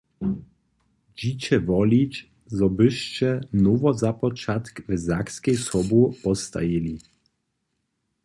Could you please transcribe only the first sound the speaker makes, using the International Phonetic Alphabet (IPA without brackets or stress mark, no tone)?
d͡ʑ